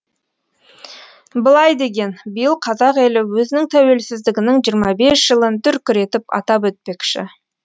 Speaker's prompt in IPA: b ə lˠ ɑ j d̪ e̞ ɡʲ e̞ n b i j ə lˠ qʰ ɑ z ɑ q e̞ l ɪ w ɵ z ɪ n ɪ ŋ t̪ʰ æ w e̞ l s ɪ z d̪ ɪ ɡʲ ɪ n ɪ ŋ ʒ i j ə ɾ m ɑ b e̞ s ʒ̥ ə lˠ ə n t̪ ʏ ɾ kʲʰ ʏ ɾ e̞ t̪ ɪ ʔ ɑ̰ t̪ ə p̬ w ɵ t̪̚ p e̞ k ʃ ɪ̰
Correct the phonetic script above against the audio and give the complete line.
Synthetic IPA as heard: b ə lˠ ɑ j d̪ e̞ ɡʲ e̞ n b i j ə lˠ qʰ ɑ z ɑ q e̞ l ɪ w ɵ z ɪ n ɪ ŋ t̪ʰ æ w e̞ l s ɪ z d̪ ɪ ɡʲ ɪ n ɪ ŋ ʒ i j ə ɾ m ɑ b e̞ s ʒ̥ ə lˠ ə n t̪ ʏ ɾ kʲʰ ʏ ɾ e̞ t̪ ɪ p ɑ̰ t̪ ɑ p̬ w ɵ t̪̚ p e̞ k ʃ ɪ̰